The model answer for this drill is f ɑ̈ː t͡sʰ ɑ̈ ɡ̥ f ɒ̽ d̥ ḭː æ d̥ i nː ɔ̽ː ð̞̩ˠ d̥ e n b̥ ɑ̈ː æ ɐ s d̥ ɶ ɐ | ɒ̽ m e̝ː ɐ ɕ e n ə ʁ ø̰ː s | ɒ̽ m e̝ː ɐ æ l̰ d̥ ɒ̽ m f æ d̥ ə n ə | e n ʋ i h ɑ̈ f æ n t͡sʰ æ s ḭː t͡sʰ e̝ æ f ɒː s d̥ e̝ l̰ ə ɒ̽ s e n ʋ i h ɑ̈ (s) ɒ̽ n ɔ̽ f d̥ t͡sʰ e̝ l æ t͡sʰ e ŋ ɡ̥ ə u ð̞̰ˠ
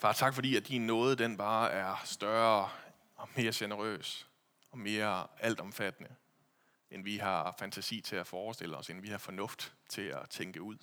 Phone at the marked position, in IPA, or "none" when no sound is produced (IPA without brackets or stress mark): f